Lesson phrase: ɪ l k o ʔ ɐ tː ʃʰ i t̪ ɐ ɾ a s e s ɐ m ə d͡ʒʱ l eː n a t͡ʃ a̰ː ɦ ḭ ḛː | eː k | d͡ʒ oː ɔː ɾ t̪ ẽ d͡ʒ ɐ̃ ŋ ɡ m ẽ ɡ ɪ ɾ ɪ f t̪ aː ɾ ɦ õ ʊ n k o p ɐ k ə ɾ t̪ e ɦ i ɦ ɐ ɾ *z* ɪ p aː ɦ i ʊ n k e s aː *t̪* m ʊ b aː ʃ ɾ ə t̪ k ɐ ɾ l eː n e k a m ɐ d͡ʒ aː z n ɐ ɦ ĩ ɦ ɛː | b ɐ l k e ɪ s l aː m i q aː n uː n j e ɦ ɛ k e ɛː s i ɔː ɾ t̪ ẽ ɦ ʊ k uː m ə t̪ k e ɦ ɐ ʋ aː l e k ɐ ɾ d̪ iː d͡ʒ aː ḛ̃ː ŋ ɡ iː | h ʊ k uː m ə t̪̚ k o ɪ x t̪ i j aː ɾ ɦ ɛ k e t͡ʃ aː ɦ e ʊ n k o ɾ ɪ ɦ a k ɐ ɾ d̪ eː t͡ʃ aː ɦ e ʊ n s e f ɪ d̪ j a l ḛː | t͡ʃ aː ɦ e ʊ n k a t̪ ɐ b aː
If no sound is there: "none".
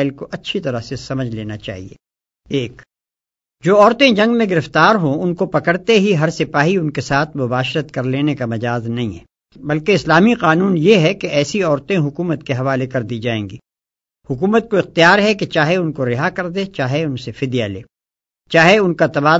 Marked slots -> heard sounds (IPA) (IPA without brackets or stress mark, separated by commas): s, t̪ʰ